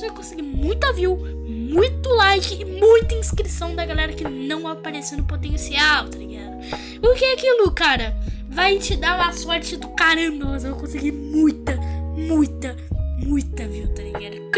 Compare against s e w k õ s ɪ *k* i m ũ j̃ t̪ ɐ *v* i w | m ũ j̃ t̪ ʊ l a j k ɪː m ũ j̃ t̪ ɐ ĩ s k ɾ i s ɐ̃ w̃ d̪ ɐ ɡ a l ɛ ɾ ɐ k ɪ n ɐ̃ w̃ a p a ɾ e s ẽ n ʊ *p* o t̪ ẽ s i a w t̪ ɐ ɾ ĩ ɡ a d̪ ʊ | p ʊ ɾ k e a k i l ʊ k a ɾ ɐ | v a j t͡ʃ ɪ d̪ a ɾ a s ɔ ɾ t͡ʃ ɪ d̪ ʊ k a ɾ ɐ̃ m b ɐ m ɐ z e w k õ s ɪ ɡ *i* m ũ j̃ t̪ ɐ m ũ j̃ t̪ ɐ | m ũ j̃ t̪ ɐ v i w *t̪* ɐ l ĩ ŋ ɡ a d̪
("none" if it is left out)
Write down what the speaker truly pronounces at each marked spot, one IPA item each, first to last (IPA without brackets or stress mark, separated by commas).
ɡ, v, p, i, t̪